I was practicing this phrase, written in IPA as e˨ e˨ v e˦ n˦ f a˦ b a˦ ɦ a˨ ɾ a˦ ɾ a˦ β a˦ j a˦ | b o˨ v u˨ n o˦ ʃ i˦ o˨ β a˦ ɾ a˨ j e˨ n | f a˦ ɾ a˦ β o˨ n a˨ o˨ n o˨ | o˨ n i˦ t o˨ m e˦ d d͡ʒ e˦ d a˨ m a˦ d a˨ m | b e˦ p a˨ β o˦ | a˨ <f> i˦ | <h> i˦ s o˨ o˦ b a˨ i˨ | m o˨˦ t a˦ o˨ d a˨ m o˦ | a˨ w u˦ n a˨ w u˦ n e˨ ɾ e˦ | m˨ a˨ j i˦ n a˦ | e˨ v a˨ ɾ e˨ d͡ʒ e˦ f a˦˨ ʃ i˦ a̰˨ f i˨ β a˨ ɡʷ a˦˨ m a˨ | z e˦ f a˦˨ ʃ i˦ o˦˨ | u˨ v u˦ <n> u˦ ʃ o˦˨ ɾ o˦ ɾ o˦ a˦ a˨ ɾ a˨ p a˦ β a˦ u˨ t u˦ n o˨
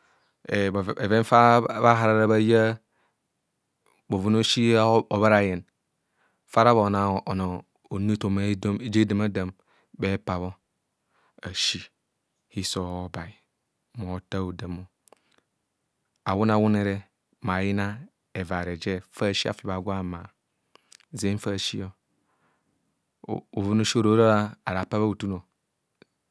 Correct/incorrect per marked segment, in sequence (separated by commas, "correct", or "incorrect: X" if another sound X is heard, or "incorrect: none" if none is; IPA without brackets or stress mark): incorrect: ʃ, correct, correct